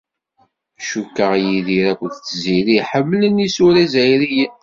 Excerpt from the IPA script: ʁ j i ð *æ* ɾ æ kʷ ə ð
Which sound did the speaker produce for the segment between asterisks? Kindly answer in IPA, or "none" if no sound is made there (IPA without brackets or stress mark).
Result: i